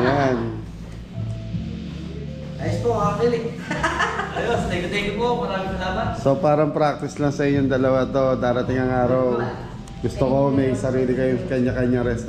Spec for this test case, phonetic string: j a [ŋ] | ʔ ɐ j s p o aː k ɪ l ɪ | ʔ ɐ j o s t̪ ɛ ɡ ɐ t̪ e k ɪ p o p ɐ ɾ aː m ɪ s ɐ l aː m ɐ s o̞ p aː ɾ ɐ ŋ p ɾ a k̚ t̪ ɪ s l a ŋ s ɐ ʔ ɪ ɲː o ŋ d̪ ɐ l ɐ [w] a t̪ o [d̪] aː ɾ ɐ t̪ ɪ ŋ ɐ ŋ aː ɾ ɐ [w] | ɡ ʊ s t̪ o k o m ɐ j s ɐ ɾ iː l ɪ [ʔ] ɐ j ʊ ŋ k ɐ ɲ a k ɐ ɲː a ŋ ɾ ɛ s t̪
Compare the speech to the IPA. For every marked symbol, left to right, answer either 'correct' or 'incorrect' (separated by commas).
incorrect, correct, correct, correct, incorrect